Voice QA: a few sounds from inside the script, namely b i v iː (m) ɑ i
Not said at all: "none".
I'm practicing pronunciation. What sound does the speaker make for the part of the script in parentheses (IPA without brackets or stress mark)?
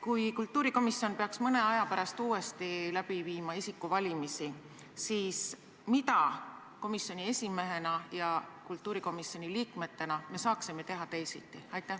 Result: m